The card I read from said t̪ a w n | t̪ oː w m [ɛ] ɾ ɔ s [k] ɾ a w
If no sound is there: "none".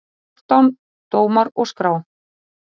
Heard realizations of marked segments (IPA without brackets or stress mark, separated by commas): a, k